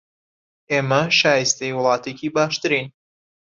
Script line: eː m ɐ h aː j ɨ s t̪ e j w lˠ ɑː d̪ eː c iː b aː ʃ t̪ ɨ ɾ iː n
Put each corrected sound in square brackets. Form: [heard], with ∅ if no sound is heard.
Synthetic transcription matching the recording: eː m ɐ [ʃ] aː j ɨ s t̪ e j w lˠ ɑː [t̪] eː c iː b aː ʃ t̪ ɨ ɾ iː n